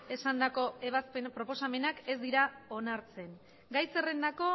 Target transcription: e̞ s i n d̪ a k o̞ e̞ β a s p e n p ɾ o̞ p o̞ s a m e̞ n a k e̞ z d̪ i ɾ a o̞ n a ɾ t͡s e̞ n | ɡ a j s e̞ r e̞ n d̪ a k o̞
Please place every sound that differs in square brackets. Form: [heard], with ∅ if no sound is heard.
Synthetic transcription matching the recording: e̞ s [a] n d̪ a k o̞ e̞ β a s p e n p ɾ o̞ p o̞ s a m e̞ n a k e̞ z d̪ i ɾ a o̞ n a ɾ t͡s e̞ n | ɡ a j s e̞ r e̞ n d̪ a k o̞